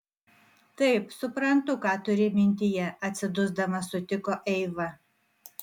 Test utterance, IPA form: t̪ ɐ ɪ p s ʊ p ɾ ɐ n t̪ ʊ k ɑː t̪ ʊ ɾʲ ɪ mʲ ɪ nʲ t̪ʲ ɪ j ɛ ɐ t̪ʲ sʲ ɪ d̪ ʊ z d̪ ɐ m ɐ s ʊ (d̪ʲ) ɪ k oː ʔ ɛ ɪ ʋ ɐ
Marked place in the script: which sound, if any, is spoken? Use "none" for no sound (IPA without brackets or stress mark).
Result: t̪ʲ